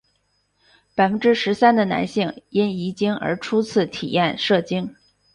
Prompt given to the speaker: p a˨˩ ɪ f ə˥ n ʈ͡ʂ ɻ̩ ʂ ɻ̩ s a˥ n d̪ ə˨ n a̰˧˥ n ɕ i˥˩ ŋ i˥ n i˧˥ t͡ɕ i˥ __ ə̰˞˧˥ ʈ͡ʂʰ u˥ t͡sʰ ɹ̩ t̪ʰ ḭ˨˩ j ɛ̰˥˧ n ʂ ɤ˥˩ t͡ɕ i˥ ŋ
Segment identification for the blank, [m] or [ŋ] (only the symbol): ŋ